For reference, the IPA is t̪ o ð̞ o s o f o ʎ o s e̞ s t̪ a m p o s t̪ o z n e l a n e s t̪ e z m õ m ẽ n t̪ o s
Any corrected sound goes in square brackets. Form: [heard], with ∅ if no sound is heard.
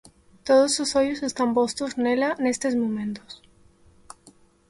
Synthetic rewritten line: t̪ o ð̞ o s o [s] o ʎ o s e̞ s t̪ a m p o s t̪ o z n e l a n e s t̪ e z m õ m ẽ n t̪ o s